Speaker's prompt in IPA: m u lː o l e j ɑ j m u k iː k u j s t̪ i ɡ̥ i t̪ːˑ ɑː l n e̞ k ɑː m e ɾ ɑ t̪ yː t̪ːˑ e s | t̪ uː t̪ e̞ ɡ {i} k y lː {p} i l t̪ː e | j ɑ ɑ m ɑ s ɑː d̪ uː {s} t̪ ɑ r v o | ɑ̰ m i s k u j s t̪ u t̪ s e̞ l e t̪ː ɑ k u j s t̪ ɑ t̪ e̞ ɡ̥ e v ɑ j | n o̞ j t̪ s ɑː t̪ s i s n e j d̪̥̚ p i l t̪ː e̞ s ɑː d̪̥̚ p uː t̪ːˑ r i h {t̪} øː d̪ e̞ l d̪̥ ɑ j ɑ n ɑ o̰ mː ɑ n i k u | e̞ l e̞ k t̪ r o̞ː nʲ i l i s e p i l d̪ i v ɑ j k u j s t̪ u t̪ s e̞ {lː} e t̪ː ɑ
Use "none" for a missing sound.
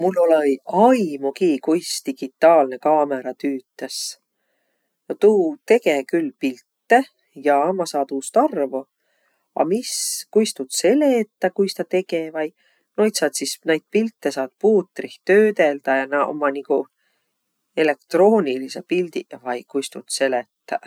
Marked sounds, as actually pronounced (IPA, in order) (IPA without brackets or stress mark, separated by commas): e, p, s, t̪, l